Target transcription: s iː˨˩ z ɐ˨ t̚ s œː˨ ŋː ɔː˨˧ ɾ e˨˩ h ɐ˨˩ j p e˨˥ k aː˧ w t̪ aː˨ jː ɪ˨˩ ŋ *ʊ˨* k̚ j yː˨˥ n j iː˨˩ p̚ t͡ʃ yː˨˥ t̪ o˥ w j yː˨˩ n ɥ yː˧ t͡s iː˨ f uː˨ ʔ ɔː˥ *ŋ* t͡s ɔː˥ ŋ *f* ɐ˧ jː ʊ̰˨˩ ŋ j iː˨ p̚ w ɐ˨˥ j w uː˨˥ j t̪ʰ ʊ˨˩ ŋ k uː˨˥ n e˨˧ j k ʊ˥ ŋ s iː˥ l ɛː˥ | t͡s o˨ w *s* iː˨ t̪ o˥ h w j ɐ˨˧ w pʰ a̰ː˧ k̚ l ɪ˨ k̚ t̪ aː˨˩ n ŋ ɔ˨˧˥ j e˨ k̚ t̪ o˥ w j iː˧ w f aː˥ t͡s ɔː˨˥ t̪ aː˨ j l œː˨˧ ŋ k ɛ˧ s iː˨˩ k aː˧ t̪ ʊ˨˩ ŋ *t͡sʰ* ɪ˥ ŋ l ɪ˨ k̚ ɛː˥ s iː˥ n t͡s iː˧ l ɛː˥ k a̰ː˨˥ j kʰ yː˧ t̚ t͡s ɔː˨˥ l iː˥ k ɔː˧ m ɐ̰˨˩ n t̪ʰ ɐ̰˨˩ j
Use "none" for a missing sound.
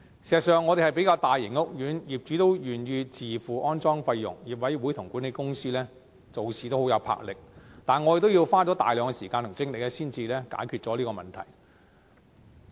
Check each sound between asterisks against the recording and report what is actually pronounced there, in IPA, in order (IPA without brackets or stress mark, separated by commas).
ʊ˥, n, f, s, t͡s